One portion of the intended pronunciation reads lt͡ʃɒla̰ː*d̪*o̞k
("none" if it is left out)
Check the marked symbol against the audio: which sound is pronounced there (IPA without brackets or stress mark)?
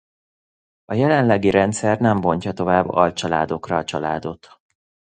d̪